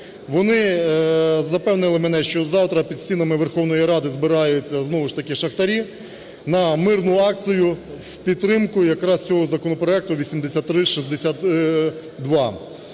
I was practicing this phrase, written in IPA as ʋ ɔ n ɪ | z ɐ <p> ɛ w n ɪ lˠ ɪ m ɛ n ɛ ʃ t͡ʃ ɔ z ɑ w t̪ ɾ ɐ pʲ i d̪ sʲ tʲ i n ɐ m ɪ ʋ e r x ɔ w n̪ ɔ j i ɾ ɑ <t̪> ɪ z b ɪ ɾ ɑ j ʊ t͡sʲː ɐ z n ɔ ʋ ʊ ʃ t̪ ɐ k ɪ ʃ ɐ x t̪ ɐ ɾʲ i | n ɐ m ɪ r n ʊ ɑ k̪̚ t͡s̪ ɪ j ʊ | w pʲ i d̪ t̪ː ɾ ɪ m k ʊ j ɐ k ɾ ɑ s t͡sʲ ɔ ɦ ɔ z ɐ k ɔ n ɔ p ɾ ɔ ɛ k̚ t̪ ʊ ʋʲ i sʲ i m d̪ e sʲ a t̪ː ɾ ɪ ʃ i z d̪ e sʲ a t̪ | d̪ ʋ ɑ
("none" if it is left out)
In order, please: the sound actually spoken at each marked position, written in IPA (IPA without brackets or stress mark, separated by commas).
p, d̪